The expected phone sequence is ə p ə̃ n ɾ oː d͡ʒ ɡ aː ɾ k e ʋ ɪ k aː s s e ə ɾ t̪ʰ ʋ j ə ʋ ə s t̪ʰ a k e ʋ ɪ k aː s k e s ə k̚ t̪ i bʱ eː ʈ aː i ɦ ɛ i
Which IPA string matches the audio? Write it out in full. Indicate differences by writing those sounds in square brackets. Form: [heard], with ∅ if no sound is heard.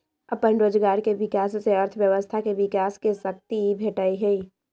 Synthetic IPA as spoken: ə p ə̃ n ɾ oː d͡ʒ ɡ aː ɾ k e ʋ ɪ k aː s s e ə ɾ t̪ʰ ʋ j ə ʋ ə s t̪ʰ a k e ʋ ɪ k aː s k e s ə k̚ t̪ i bʱ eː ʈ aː i ɦ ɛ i